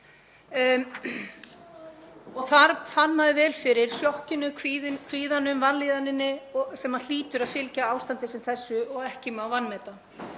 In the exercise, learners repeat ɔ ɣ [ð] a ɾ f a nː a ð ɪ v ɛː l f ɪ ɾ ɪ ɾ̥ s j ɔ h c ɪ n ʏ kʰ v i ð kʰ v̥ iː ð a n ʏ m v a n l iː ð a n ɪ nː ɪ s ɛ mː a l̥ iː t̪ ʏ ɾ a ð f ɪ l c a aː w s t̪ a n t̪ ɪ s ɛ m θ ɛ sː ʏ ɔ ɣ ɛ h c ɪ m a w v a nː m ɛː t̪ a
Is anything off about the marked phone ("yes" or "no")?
yes